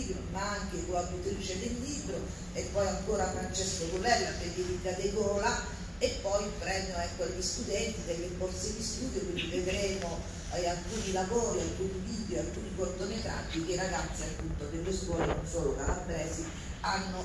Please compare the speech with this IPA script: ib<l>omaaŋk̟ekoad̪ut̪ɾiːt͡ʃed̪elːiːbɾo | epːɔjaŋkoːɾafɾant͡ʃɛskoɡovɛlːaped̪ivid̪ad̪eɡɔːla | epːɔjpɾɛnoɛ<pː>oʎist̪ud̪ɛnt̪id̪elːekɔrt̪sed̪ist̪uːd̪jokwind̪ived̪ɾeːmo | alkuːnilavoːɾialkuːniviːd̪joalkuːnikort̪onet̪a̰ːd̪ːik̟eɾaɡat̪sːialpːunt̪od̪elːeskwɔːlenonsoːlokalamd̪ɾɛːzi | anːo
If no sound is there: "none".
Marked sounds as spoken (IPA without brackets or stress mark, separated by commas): ɾ, kː